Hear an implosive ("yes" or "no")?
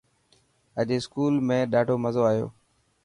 yes